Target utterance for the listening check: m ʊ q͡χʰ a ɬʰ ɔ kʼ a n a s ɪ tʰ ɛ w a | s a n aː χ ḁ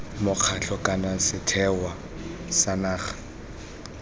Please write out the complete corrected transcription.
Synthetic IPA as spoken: m ʊ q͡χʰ a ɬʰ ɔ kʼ a n a s ɪ tʰ ɛ w a | s a n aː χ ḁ